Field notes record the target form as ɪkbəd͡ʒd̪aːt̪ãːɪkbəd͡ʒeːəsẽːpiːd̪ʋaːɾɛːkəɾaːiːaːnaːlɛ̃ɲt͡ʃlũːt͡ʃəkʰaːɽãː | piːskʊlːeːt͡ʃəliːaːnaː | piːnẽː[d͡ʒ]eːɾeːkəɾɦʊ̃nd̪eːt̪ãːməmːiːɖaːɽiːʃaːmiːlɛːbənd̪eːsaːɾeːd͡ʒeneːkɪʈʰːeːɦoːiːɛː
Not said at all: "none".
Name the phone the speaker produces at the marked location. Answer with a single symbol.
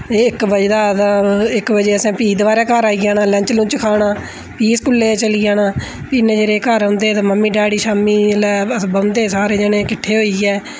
d͡ʒ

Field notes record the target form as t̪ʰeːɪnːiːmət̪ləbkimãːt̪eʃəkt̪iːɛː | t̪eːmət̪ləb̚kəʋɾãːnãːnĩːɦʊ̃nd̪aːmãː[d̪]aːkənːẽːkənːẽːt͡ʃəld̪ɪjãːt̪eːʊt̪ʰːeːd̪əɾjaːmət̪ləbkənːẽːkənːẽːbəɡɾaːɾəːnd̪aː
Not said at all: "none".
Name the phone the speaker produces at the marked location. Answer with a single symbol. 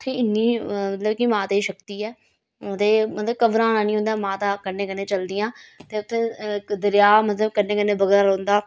t̪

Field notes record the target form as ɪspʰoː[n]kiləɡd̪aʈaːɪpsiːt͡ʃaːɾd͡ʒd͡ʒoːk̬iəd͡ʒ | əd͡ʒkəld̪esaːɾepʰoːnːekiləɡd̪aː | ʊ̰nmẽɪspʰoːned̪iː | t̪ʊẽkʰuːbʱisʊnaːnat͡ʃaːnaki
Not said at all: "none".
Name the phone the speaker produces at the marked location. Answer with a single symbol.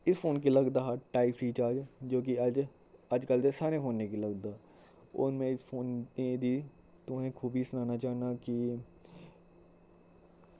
n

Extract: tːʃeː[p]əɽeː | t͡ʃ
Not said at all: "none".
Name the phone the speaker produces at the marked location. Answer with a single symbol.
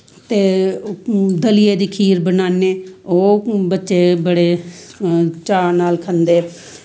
b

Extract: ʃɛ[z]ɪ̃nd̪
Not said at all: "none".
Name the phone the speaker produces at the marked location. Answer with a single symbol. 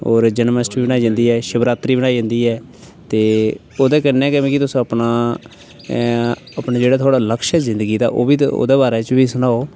z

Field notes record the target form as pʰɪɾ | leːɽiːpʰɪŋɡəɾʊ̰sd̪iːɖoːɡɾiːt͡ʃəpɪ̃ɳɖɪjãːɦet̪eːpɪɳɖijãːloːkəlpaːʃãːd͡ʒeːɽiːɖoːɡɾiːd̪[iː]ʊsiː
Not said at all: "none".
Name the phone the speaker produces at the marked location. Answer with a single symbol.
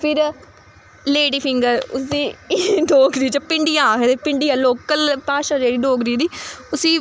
iː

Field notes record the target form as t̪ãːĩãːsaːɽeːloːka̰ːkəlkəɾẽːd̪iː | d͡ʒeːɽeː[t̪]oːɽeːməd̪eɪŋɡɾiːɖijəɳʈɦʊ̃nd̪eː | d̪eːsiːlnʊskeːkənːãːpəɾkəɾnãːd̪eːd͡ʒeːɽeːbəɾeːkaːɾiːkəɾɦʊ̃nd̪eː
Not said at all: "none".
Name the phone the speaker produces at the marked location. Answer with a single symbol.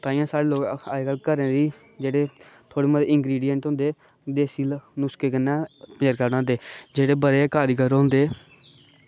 t̪ʰ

